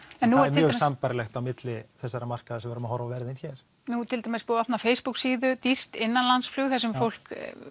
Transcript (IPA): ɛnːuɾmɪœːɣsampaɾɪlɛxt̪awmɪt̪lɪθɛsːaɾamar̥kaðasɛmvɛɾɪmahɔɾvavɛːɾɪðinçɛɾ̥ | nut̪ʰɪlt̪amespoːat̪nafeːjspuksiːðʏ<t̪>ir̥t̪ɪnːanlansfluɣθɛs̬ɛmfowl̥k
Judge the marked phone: correct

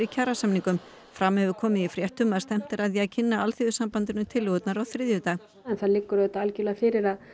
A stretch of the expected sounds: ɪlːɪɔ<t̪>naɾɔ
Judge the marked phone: correct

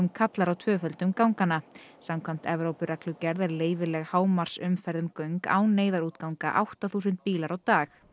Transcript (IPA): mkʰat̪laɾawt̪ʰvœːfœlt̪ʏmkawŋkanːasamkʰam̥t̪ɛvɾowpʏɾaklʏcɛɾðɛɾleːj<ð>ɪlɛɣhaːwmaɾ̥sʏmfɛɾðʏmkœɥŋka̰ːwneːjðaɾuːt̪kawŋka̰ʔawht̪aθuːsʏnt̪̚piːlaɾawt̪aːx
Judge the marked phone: incorrect: v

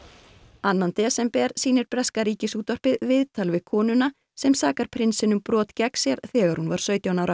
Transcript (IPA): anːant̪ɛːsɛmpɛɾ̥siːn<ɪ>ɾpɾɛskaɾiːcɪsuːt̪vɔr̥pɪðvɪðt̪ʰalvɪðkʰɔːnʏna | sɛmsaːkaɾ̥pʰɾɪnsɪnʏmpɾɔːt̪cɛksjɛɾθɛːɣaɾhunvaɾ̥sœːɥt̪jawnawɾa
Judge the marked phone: correct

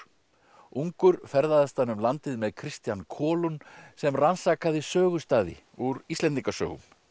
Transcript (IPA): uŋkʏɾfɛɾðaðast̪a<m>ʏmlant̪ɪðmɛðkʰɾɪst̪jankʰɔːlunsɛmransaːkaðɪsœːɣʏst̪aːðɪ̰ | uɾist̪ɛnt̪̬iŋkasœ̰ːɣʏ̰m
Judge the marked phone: incorrect: n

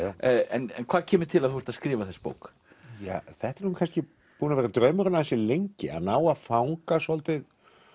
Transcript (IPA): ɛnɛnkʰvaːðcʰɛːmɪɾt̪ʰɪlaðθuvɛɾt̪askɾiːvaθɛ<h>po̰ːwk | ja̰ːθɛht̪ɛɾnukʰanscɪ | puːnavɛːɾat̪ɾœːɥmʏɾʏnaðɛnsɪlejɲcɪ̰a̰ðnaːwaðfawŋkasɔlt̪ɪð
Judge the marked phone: incorrect: s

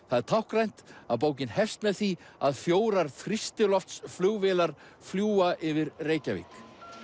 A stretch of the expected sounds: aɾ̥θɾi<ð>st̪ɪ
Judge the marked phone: incorrect: none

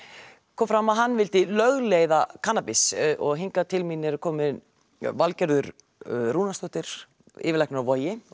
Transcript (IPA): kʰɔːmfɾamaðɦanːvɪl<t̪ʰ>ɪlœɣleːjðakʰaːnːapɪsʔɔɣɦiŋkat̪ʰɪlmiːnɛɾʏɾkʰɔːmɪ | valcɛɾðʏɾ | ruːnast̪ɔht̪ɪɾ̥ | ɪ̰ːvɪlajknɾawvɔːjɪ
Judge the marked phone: incorrect: t̪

